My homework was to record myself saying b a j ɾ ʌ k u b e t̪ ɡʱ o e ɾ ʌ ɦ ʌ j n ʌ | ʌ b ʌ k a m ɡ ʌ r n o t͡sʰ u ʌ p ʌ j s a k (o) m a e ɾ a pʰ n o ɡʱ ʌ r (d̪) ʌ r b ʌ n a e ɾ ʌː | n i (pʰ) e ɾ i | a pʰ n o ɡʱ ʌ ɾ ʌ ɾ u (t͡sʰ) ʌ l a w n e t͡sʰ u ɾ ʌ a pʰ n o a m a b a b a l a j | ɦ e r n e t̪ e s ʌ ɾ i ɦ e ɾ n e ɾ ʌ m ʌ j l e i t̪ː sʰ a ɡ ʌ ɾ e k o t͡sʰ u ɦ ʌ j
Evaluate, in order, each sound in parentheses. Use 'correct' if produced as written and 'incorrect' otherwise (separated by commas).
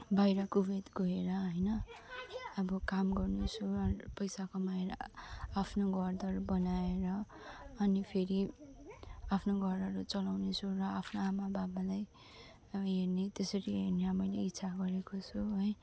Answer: correct, correct, correct, incorrect